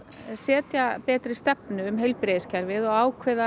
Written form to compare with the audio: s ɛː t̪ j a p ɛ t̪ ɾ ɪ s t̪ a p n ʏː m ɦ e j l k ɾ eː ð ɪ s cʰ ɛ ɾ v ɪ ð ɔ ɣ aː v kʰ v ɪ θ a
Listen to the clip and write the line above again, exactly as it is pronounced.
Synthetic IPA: s ɛː t̪ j a p ɛː t̪ ɾ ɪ s t̪ ɛ p n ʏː m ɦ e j l p ɾ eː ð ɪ s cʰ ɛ ɾ v ɪ ð ɔ ɣ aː w kʰ v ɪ ð a